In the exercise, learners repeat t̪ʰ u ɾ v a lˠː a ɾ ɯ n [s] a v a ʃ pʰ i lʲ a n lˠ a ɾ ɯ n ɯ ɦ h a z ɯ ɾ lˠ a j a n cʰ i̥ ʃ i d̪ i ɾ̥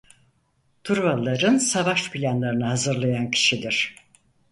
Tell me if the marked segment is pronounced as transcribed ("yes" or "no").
yes